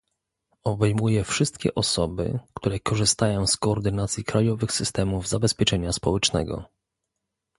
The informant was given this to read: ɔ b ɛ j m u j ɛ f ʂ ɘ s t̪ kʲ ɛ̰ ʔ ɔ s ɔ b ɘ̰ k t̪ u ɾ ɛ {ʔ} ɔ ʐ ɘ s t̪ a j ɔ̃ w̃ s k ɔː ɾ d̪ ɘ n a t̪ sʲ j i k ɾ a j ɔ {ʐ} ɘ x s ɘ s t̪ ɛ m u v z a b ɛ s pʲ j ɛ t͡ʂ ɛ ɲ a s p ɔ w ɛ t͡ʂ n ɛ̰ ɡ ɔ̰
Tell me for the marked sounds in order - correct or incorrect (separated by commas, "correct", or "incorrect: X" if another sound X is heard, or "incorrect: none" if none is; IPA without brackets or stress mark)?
incorrect: k, incorrect: v